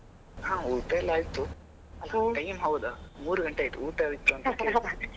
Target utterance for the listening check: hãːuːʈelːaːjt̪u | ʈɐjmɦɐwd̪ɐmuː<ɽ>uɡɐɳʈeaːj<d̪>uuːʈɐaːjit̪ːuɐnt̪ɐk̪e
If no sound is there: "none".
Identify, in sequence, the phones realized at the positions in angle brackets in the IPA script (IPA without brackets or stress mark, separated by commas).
ɾ, t̪